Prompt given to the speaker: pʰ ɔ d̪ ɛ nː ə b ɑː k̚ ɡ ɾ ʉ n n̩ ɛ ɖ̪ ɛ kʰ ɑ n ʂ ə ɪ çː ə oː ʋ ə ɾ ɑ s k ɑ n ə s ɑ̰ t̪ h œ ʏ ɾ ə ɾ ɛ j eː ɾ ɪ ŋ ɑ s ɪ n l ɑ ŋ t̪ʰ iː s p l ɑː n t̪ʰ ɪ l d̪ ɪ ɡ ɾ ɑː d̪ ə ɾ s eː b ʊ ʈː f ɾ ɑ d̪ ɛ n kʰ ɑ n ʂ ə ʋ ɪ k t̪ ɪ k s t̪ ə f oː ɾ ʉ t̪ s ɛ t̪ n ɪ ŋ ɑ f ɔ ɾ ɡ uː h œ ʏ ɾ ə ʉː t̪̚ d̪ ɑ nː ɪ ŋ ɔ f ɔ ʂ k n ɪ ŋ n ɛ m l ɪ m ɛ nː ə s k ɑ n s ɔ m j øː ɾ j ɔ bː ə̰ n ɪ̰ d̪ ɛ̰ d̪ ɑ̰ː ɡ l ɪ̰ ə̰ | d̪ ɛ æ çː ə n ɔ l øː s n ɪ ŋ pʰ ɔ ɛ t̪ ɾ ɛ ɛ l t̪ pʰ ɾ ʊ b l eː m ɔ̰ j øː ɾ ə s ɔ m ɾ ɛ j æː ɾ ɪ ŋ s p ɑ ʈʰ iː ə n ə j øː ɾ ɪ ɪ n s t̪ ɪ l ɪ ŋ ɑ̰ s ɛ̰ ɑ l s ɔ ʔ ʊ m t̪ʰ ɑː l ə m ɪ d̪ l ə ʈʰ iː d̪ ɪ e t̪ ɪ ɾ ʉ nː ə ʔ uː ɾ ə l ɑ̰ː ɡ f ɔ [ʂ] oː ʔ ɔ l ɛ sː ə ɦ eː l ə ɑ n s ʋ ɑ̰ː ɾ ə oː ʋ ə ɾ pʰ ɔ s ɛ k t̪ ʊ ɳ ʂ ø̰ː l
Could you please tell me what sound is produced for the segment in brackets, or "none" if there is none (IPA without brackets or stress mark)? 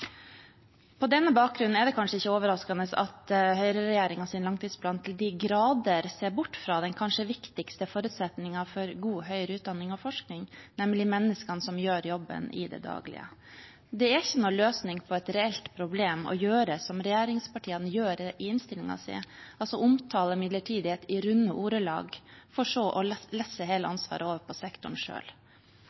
ʂ